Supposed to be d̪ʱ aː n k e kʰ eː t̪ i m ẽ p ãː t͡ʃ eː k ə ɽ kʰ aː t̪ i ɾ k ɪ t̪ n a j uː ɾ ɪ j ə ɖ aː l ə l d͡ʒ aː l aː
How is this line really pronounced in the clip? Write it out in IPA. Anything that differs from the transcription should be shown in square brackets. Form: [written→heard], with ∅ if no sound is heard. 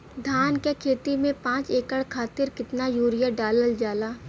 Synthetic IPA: d̪ʱ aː n k e kʰ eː t̪ i m ẽ p ãː t͡ʃ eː k ə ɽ kʰ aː t̪ [i→ɪ] ɾ k ɪ t̪ n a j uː ɾ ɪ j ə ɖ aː l ə l d͡ʒ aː l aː

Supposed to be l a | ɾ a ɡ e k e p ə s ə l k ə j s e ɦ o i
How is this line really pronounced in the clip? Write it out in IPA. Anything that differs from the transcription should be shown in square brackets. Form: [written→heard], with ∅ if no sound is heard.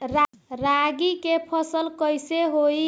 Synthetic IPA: [l→ɾ] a | ɾ a ɡ [e→i] k e [p→pʰ] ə s ə l k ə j s e ɦ o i

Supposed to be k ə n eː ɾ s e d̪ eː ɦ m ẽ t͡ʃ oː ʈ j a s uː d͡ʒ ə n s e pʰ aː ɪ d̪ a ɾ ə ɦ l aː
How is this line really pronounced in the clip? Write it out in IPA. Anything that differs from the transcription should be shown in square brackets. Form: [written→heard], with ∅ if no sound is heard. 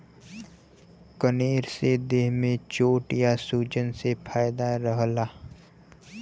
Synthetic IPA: k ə n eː ɾ s e d̪ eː ɦ m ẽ t͡ʃ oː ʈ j a s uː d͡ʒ ə n s e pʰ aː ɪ d̪ a ɾ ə ɦ l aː

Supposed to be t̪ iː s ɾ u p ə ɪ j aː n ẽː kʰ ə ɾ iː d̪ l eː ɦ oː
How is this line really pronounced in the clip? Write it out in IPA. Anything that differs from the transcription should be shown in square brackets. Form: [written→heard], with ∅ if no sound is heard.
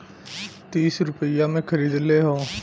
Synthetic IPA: t̪ iː s ɾ [u→ʊ] p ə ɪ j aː [n→m] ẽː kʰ ə ɾ iː d̪ l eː ɦ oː

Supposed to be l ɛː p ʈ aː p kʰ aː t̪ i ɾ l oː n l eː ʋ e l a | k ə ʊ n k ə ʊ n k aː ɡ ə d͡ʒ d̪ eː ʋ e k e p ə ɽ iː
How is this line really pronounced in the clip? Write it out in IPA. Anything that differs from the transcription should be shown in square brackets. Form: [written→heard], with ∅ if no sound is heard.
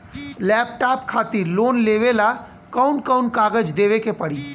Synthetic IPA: l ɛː p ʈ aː p kʰ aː t̪ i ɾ l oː n l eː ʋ e l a | k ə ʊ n k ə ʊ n k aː ɡ ə d͡ʒ d̪ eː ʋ e k e p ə ɽ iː

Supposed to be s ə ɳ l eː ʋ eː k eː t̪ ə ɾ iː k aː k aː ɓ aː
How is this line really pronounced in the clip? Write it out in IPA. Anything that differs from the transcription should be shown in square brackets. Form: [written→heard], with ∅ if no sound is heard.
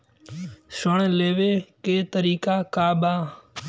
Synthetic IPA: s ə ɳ l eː ʋ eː k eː t̪ ə ɾ iː k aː k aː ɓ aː

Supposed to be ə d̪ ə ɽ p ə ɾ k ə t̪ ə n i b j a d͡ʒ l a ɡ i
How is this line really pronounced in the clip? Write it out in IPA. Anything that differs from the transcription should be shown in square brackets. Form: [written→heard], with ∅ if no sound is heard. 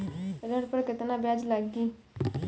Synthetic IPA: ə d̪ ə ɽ p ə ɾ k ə t̪ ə n [i→a] b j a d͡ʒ l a ɡ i

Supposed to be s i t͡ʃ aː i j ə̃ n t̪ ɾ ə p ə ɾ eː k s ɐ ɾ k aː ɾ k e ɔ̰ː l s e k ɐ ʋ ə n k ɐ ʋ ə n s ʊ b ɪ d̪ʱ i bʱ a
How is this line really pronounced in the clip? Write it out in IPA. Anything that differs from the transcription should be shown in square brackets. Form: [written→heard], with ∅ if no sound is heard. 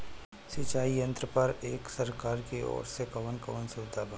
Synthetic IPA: s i t͡ʃ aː i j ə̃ n t̪ ɾ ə p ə ɾ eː k s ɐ ɾ k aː ɾ k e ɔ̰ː [l→ɾ] s e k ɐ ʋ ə n k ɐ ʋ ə n s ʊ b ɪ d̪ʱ [i→a] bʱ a

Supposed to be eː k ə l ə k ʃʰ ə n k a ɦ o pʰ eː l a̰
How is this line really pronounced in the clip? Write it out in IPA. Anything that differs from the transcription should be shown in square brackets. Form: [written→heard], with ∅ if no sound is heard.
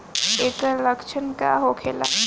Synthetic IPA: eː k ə l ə k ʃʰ ə n k a ɦ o [pʰ→kʰ] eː l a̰

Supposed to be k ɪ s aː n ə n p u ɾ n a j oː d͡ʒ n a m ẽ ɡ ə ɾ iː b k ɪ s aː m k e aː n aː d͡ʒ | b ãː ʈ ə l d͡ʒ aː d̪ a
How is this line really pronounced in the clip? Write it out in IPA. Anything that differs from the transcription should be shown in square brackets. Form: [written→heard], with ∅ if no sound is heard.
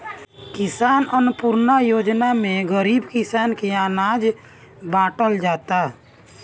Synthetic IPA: k ɪ s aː n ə n p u ɾ n a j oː d͡ʒ n a m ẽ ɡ ə ɾ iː b k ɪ s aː [m→n] k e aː n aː d͡ʒ | b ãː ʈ ə l d͡ʒ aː [d̪→t̪] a

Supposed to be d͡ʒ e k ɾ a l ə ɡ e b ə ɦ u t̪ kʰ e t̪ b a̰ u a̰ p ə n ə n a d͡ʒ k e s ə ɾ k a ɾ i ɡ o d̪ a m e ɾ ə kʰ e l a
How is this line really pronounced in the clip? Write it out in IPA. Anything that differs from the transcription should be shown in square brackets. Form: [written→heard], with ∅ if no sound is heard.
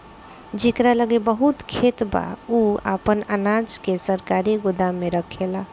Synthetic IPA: d͡ʒ e k ɾ a l ə ɡ e b ə ɦ u t̪ kʰ e t̪ b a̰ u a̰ p ə n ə n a d͡ʒ k e s ə ɾ k a ɾ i ɡ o d̪ a m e ɾ ə kʰ e l a

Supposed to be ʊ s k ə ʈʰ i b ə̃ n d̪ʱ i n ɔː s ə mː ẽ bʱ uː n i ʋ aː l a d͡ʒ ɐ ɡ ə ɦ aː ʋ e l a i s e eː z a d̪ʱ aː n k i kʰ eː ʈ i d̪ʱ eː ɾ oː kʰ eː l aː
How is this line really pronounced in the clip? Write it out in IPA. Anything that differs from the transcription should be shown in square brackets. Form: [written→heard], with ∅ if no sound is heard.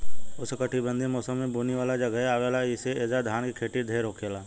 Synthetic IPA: ʊ s k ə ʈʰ i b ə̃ n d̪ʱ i [n→m] ɔː s ə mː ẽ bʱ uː n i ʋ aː l a d͡ʒ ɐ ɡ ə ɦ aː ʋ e l a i s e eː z a d̪ʱ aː n k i kʰ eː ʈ i d̪ʱ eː ɾ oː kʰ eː l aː

